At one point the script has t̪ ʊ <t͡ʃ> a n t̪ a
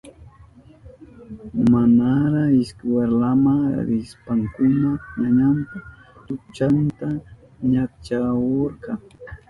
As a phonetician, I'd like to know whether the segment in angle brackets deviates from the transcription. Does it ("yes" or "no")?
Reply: no